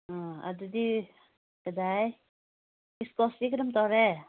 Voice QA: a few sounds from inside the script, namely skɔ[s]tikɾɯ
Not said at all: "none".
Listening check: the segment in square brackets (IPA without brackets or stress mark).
s